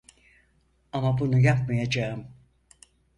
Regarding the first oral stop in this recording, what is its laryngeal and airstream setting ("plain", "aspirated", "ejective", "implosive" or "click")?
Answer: plain